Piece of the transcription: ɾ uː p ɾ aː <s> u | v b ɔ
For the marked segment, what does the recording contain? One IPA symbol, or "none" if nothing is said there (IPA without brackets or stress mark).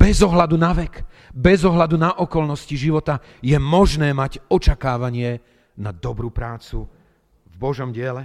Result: t͡s